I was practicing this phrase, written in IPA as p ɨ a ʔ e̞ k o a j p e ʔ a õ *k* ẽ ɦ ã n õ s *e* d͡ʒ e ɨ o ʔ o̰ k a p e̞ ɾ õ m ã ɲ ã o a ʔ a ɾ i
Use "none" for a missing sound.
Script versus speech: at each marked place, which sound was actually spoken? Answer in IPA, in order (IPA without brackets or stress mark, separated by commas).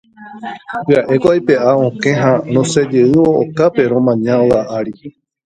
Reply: k, e